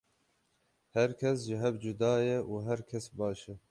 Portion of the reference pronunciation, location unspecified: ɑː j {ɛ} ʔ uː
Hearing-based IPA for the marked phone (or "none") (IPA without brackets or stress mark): ɛ